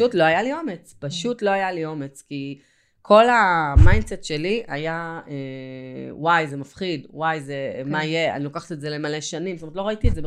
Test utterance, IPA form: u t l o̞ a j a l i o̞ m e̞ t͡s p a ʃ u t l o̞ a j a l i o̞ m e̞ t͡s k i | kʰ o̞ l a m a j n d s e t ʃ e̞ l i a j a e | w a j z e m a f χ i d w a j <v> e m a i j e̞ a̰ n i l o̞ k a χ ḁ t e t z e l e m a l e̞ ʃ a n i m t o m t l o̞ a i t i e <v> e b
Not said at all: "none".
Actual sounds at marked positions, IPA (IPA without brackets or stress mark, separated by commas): z, z